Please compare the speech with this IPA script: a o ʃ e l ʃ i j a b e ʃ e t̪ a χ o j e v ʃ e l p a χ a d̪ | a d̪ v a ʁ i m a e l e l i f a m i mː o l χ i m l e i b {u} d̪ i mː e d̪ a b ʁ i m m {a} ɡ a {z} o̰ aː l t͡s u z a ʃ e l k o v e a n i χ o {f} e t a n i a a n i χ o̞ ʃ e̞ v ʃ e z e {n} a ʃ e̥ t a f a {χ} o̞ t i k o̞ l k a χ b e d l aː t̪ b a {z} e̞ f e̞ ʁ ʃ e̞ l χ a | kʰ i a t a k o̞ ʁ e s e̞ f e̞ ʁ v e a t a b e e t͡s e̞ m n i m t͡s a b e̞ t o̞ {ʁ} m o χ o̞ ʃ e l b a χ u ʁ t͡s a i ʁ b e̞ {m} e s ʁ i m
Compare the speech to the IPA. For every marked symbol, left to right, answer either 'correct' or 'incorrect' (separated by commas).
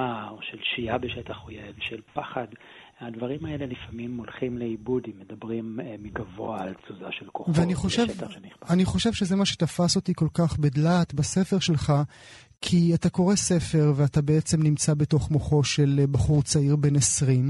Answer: correct, incorrect, incorrect, incorrect, incorrect, incorrect, incorrect, incorrect, incorrect